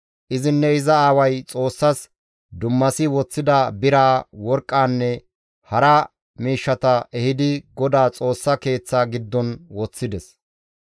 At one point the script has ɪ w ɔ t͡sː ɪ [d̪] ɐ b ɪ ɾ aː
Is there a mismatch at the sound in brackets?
no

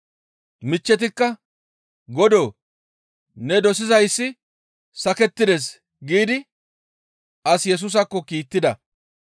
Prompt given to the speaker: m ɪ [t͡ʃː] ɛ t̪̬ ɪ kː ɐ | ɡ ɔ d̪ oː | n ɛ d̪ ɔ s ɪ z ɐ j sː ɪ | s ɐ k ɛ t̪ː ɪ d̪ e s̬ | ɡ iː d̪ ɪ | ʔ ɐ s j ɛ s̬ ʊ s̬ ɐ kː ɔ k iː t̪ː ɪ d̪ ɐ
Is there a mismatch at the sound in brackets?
no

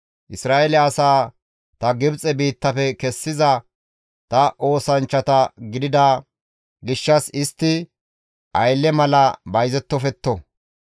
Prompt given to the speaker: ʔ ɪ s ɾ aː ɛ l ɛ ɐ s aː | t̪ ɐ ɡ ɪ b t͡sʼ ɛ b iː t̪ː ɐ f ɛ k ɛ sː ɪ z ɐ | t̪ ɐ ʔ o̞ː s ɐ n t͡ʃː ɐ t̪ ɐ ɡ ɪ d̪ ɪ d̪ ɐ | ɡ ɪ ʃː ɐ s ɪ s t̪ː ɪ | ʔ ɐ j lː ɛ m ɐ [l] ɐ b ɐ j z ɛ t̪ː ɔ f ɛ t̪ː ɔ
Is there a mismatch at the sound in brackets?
no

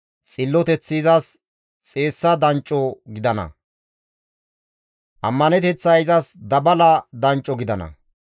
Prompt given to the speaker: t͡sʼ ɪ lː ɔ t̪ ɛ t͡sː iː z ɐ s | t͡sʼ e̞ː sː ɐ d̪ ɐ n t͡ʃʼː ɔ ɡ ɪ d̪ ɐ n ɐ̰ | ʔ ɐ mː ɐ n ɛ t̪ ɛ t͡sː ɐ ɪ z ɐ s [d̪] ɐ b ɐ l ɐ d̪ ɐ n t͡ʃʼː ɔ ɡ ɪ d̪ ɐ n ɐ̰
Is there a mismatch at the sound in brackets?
no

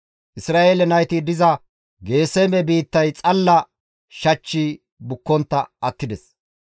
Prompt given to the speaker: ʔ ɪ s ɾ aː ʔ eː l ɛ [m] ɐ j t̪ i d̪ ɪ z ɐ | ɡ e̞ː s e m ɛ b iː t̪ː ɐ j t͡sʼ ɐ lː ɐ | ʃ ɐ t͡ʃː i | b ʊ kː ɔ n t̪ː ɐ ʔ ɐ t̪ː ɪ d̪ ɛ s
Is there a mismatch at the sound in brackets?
yes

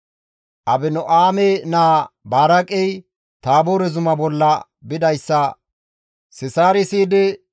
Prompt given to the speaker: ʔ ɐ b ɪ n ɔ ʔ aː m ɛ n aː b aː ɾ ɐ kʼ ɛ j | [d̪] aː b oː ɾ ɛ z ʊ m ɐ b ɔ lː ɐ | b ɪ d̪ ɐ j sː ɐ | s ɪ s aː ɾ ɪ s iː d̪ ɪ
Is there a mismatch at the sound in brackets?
yes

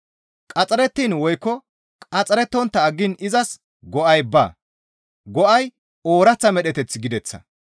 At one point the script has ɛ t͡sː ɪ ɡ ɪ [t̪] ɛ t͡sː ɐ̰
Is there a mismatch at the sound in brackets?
yes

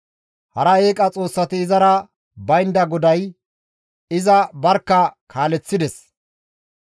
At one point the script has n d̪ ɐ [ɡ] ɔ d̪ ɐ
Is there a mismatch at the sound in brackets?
no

